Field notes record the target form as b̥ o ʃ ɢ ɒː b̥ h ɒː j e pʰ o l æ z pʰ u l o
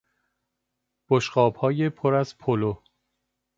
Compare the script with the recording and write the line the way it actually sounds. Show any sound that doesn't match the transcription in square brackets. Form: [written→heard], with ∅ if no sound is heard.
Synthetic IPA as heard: b̥ o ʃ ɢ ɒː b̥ h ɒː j e pʰ o [l→ɾ] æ z pʰ [u→o] l o

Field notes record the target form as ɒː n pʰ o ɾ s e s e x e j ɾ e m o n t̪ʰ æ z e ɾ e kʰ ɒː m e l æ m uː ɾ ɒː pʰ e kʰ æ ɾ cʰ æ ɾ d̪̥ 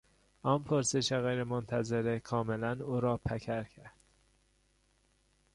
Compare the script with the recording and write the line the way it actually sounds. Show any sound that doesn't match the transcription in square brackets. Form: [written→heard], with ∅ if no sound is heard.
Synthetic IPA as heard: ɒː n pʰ o ɾ s e [s→ʃ] e [x→ɣ] e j ɾ e m o n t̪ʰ æ z e ɾ e kʰ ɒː m e l æ [m→n] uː ɾ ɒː pʰ [e→æ] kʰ æ ɾ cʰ æ ɾ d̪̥

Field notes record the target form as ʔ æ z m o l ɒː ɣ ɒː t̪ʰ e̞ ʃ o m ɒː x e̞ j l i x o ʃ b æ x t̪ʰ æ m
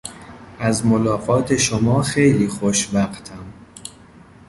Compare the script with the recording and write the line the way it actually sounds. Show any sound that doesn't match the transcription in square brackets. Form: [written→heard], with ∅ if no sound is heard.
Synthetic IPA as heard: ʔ æ z m o l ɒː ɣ ɒː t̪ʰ e̞ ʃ o m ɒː x e̞ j l [i→iː] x o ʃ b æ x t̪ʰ æ m

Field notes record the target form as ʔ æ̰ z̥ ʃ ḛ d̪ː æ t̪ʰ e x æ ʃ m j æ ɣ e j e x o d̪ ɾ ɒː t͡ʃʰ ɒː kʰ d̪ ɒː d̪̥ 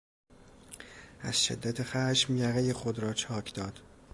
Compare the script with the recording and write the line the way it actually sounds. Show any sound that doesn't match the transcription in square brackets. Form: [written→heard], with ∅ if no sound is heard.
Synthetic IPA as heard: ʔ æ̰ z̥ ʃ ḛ d̪ː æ t̪ʰ e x æ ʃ m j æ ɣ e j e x o d̪ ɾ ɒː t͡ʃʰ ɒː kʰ d̪ ɒː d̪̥

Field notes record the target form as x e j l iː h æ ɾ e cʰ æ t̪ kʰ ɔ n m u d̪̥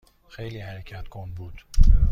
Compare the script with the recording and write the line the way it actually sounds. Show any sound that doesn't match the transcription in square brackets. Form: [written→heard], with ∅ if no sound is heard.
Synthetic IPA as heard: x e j l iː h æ ɾ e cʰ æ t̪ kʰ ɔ n [m→b] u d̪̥

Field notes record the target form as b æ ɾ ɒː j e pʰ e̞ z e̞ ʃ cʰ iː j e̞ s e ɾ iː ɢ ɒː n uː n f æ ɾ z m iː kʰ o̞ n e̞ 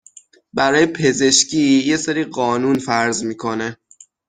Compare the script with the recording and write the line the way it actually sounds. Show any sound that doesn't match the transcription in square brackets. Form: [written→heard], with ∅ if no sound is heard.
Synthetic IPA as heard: b æ ɾ ɒː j e pʰ e̞ z e̞ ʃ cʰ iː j e̞ s e ɾ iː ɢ ɒː n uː n f æ ɾ z m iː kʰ o̞ n e̞

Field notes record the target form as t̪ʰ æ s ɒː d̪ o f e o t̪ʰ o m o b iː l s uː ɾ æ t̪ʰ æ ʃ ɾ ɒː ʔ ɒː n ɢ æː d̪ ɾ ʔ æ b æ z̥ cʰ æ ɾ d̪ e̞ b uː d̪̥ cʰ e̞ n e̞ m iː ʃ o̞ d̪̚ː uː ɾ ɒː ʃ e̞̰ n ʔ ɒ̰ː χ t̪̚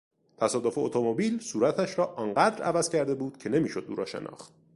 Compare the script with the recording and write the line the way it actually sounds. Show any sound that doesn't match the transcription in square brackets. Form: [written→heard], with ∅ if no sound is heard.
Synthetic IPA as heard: t̪ʰ æ s ɒː d̪ o f e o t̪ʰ o m o b iː l s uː ɾ æ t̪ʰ æ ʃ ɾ ɒː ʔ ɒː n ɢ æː d̪ ɾ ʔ æ [b→v] æ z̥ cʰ æ ɾ d̪ e̞ b uː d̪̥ cʰ e̞ n e̞ m iː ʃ o̞ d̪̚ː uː ɾ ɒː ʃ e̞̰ n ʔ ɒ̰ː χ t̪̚

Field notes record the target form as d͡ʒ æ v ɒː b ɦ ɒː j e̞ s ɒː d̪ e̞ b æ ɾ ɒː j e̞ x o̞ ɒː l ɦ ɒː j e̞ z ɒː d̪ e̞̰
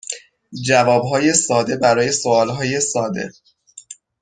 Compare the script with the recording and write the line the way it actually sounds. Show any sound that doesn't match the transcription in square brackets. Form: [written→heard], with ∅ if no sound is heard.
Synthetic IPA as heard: d͡ʒ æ v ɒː b ɦ ɒː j e̞ s ɒː d̪ e̞ b æ ɾ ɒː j e̞ [x→s] o̞ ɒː l ɦ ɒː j e̞ [z→s] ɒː d̪ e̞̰

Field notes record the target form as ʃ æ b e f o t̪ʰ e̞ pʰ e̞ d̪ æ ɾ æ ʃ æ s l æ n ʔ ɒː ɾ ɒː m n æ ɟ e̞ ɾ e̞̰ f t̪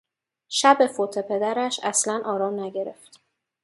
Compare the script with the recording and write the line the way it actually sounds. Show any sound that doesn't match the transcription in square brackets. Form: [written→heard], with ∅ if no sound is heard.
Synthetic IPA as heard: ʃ æ b e f o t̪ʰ e̞ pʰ e̞ d̪ æ ɾ æ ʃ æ s l æ n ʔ ɒː ɾ ɒː m n æ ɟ e̞ ɾ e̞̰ f t̪

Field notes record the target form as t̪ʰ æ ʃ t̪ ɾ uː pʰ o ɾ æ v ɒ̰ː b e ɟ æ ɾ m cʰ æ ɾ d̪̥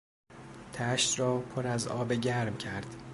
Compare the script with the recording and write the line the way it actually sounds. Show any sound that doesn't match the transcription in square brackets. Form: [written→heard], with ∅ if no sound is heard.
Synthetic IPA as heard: t̪ʰ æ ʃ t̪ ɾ [uː→ɒː] pʰ o ɾ æ [v→z] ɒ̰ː b e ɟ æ ɾ m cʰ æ ɾ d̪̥

